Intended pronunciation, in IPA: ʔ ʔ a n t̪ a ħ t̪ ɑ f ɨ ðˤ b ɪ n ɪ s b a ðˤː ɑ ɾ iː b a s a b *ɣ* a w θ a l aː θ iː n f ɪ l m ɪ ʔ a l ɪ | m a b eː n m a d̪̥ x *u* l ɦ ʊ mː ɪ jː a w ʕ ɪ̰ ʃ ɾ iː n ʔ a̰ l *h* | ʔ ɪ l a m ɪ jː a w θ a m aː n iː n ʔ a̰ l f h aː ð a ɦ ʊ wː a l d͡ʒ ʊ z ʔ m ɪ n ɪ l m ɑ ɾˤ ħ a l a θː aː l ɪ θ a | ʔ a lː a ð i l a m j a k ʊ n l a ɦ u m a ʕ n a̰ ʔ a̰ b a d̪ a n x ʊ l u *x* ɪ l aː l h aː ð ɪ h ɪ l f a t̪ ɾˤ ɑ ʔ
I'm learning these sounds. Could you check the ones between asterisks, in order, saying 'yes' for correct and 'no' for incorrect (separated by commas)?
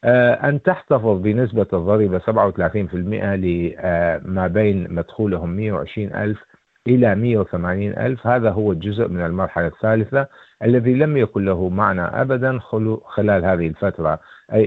no, no, no, yes